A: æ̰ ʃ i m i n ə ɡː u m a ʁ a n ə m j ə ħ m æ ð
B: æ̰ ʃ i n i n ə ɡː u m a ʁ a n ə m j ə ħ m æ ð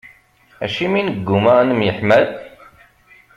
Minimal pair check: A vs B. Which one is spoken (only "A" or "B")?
A